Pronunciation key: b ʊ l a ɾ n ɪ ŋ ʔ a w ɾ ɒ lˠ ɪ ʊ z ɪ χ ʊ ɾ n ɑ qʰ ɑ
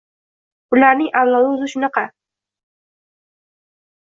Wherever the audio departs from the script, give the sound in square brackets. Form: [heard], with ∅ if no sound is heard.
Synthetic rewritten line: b ʊ l a ɾ n ɪ ŋ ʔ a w [l] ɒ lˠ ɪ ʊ z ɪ [ʃ] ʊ [∅] n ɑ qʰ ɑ